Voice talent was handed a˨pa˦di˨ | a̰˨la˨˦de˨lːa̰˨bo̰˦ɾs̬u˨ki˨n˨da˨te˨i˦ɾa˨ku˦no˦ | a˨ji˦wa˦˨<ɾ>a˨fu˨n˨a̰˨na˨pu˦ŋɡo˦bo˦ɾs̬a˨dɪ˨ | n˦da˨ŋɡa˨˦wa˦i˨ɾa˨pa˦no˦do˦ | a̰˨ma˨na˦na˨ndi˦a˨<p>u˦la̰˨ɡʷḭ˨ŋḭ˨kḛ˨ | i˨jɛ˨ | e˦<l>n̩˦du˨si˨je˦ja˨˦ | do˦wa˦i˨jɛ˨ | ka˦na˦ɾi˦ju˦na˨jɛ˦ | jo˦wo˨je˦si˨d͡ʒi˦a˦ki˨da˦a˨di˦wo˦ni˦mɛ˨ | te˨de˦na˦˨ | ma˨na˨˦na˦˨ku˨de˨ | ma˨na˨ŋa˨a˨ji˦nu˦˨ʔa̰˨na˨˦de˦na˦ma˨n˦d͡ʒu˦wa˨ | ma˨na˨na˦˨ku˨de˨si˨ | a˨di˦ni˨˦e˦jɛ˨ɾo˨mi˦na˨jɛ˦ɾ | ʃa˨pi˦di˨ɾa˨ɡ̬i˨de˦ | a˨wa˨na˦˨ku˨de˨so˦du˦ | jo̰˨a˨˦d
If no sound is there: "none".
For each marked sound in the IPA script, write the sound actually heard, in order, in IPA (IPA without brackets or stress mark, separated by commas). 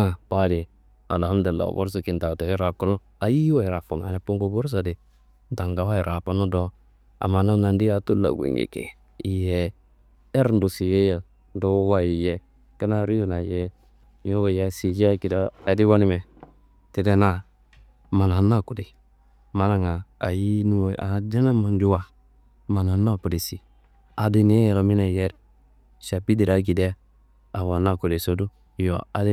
ɾ, t, ɾ